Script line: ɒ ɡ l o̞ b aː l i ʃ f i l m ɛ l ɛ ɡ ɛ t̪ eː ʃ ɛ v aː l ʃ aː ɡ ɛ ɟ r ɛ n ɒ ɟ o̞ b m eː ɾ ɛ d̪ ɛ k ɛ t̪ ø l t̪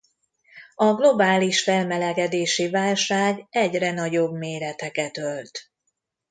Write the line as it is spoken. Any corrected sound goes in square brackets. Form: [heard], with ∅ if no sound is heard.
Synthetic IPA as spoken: ɒ ɡ l o̞ b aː l i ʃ f [ɛ] l m ɛ l ɛ ɡ ɛ [d̪] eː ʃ [i] v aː l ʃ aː ɡ ɛ ɟ r ɛ n ɒ ɟ o̞ b m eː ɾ ɛ [t̪] ɛ k ɛ t̪ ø l t̪